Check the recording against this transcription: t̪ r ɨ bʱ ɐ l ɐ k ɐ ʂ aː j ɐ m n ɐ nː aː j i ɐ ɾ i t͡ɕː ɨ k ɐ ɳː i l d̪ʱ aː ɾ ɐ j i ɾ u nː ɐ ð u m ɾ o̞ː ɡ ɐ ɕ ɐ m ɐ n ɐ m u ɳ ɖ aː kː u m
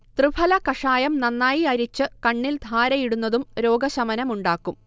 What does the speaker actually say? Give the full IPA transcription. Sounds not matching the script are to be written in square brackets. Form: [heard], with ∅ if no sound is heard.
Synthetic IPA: t̪ r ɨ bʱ ɐ l ɐ k ɐ ʂ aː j ɐ m n ɐ nː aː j i ɐ ɾ i t͡ɕː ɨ k ɐ ɳː i l d̪ʱ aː ɾ ɐ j i [ɽ] u nː ɐ ð u m ɾ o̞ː ɡ ɐ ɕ ɐ m ɐ n ɐ m u ɳ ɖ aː kː u m

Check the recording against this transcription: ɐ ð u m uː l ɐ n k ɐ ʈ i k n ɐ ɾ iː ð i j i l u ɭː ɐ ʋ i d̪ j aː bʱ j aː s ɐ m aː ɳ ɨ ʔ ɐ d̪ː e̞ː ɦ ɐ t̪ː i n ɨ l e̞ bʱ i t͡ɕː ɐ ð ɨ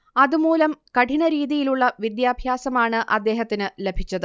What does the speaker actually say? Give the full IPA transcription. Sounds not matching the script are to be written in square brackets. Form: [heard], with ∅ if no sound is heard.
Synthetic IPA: ɐ ð u m uː l ɐ [m] k ɐ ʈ i [∅] n ɐ ɾ iː ð i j i l u ɭː ɐ ʋ i d̪ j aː bʱ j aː s ɐ m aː ɳ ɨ ʔ ɐ d̪ː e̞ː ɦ ɐ t̪ː i n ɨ l e̞ bʱ i t͡ɕː ɐ ð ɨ

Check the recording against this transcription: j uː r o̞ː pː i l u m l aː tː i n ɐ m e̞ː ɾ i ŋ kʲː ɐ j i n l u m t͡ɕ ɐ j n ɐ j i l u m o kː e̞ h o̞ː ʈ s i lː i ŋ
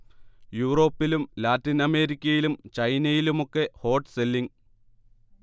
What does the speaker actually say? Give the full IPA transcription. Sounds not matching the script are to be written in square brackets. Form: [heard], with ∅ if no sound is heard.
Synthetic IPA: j uː r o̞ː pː i l u m l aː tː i n ɐ m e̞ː ɾ i [∅] kʲː ɐ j i [∅] l u m t͡ɕ ɐ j n ɐ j i l u m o kː e̞ h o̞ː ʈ s [e] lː i ŋ

